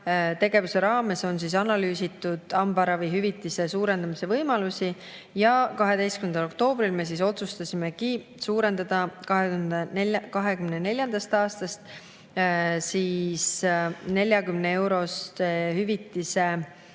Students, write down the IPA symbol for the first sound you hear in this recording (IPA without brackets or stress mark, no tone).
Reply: t̪